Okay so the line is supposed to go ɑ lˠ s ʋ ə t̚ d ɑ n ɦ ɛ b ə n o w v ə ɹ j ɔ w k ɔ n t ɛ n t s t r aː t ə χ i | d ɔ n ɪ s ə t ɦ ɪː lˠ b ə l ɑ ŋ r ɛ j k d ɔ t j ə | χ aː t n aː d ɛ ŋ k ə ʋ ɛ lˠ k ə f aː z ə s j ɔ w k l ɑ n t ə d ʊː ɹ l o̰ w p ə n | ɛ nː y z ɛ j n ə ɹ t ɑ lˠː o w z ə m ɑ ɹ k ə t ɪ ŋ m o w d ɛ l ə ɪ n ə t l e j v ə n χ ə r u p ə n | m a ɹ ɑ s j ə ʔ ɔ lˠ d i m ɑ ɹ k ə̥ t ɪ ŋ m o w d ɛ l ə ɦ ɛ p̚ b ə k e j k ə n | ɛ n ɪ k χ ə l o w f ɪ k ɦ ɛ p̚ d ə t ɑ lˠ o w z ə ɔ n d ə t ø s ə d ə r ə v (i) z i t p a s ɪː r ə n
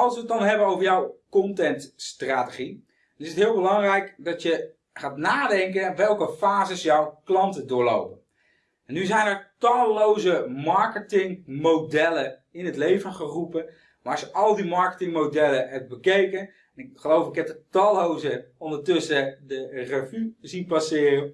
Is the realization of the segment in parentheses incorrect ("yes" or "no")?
yes